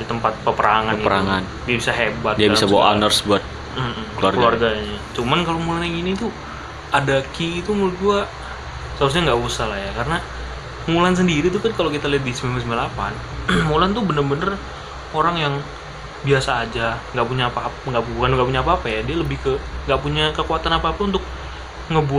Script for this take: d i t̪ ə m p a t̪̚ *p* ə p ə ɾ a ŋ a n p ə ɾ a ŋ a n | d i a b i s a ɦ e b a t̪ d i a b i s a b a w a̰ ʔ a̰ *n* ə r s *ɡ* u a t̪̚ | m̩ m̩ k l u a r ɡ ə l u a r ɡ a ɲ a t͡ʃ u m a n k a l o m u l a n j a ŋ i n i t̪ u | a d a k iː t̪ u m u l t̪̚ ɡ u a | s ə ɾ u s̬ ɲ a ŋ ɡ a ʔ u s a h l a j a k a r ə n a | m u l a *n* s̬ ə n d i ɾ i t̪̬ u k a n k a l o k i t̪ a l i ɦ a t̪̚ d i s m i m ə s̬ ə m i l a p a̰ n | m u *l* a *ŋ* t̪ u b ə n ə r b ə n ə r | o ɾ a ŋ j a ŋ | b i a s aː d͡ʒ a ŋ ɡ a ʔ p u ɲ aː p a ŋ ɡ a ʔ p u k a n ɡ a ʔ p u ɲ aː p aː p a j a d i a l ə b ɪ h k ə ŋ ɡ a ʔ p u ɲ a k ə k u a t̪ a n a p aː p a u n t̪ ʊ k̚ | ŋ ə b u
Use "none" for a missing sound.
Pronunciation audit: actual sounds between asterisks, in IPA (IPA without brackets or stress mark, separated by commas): p, n, b, n, l, n